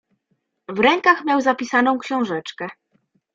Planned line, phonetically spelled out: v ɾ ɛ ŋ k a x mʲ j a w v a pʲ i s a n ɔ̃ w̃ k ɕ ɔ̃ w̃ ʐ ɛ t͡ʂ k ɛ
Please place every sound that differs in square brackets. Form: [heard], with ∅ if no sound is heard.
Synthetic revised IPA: v ɾ ɛ ŋ k a x mʲ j a w [z] a pʲ i s a n ɔ̃ w̃ k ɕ ɔ̃ w̃ ʐ ɛ t͡ʂ k ɛ